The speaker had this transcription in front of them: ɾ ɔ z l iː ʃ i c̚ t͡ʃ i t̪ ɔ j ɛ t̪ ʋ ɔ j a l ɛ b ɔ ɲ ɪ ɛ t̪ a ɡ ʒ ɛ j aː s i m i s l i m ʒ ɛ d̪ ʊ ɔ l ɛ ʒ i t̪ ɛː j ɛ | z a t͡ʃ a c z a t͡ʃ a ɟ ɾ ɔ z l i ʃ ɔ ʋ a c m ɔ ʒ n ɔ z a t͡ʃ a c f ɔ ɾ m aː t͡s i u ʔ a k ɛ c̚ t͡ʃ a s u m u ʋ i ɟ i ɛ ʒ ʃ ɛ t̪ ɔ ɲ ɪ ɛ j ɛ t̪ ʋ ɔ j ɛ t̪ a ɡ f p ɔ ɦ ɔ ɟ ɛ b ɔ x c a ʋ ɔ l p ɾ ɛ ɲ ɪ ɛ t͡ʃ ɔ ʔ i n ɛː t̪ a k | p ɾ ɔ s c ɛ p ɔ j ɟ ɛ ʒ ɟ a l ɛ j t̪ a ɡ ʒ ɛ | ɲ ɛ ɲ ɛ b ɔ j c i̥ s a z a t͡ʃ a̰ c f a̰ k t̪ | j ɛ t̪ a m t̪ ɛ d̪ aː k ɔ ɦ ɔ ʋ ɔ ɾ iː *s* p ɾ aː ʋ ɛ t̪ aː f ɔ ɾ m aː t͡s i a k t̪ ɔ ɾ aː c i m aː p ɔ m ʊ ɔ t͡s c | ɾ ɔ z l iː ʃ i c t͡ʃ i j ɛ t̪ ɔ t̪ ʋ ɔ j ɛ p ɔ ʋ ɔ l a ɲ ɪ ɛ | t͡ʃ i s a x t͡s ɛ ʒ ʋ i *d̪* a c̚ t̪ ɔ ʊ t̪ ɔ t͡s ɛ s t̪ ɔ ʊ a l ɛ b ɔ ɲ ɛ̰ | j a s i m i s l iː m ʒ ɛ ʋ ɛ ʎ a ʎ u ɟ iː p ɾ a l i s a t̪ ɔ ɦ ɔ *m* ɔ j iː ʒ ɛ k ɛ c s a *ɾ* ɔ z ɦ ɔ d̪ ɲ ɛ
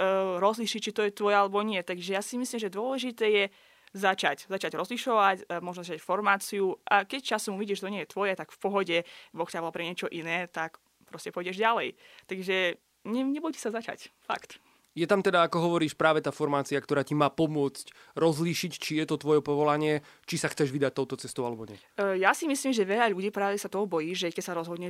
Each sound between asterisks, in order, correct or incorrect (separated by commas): incorrect, correct, incorrect, correct